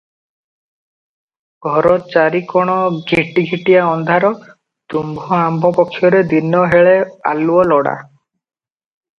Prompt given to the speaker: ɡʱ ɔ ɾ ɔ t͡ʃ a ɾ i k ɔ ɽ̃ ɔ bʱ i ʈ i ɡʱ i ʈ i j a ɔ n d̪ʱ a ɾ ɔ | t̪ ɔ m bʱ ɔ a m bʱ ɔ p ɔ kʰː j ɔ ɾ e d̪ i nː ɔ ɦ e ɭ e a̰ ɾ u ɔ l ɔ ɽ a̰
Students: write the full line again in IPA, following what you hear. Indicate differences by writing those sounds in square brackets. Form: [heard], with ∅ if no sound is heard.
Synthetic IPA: ɡʱ ɔ ɾ ɔ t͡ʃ a ɾ i k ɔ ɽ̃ ɔ [ɡʱ] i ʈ i ɡʱ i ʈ i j a ɔ n d̪ʱ a ɾ ɔ | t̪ [u] m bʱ ɔ a m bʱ ɔ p ɔ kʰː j ɔ ɾ e d̪ i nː ɔ ɦ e ɭ e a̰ [l] u ɔ l ɔ ɽ a̰